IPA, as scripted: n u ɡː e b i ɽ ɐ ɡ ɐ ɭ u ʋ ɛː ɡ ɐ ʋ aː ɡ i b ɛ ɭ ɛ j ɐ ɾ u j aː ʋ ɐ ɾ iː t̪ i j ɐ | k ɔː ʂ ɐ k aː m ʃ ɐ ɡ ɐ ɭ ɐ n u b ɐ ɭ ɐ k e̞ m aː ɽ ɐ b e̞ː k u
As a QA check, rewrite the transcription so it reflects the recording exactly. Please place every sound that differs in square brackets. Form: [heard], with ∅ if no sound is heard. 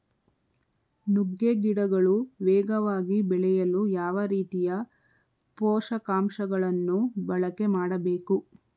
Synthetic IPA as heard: n u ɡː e [ɡ] i ɽ ɐ ɡ ɐ ɭ u ʋ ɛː ɡ ɐ ʋ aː ɡ i b ɛ ɭ ɛ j ɐ [l] u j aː ʋ ɐ ɾ iː t̪ i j ɐ | [p] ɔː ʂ ɐ k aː m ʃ ɐ ɡ ɐ ɭ ɐ [nː] u b ɐ ɭ ɐ k e̞ m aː ɽ ɐ b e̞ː k u